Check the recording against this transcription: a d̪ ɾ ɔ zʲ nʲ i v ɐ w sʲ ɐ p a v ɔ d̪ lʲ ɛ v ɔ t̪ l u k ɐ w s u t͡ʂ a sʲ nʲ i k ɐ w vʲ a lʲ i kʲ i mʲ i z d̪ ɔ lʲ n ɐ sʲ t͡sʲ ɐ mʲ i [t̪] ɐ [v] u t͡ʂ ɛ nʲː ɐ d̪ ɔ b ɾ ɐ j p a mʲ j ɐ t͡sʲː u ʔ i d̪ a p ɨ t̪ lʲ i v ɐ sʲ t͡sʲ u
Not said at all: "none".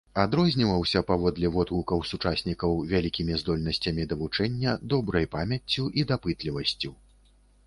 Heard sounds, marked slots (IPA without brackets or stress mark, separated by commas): d̪, v